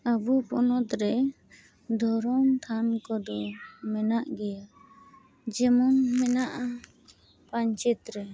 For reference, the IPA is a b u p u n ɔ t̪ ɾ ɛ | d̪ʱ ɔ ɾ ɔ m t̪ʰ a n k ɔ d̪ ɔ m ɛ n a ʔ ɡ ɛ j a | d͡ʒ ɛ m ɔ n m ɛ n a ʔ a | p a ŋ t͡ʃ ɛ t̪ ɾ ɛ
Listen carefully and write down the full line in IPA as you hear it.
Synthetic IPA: a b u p ɔ n ɔ t̪ ɾ ɛ | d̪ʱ ɔ ɾ ɔ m t̪ʰ a n k ɔ d̪ ɔ m ɛ n a ʔ ɡ ɛ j a | d͡ʒ ɛ m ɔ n m ɛ n a ʔ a | p a ɲ t͡ʃ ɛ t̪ ɾ ɛ